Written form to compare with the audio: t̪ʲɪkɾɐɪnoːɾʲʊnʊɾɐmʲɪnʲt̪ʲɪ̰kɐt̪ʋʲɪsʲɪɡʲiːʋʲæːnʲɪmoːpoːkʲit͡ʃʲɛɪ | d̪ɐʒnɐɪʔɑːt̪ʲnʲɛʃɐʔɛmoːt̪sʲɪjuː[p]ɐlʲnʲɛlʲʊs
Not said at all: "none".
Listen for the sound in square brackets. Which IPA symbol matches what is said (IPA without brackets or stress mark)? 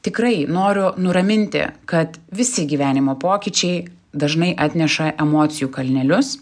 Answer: k